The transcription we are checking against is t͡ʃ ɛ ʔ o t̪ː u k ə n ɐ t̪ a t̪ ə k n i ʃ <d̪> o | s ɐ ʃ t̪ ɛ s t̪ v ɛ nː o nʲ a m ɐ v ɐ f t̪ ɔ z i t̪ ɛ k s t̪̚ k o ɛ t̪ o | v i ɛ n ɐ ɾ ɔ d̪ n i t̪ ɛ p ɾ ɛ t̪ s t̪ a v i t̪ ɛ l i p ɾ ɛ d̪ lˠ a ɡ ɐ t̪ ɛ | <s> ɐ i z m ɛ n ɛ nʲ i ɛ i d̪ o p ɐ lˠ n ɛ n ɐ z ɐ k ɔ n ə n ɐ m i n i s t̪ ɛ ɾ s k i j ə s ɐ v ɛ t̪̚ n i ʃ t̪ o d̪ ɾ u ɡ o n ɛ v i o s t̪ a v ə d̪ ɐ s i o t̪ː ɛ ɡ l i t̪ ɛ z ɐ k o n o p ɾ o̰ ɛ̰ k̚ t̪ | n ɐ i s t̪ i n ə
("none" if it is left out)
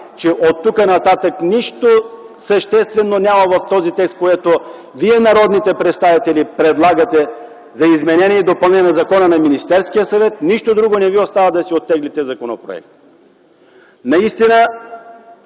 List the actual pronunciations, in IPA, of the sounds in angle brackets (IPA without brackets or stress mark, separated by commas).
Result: t̪, z